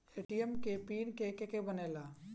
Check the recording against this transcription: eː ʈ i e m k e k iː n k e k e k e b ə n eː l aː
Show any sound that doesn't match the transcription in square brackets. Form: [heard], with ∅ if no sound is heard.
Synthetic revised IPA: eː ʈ i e m k e [p] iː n k e k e k e b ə n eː l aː